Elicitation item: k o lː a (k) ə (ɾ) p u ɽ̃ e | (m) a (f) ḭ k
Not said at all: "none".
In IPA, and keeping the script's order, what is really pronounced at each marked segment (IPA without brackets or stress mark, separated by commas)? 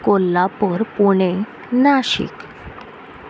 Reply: p, ɾ, n, ɕ